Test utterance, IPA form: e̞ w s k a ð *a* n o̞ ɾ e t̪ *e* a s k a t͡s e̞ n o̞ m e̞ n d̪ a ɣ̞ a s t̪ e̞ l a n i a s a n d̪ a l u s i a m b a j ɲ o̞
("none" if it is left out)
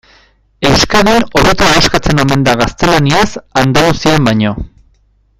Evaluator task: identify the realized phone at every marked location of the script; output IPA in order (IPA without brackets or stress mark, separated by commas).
i, a